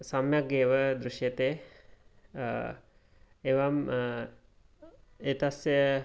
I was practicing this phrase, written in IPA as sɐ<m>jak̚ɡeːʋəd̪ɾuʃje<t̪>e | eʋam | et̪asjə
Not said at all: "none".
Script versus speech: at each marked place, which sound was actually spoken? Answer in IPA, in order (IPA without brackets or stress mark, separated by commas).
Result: m, t̪